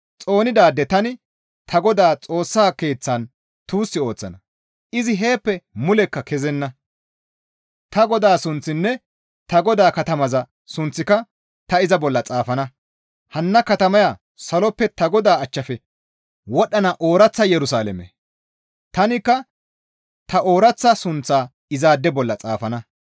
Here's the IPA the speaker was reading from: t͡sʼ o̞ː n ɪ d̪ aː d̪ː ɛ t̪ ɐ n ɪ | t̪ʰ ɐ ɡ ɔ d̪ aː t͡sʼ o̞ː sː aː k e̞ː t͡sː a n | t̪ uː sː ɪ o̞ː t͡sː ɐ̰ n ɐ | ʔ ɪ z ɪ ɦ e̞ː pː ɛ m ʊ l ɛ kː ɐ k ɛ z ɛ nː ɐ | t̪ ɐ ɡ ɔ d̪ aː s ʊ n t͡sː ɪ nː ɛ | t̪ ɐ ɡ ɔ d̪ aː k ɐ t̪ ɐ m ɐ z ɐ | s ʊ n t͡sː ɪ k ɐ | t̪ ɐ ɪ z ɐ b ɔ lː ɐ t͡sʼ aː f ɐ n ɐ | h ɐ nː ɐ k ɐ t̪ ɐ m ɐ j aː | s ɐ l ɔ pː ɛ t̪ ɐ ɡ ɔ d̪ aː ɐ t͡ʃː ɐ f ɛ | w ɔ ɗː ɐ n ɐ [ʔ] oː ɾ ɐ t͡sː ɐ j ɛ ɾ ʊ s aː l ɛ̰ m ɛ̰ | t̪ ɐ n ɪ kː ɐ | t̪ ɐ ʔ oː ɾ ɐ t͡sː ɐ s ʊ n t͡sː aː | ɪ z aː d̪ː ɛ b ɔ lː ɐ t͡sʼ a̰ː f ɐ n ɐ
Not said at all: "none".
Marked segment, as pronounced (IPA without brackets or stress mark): ʔ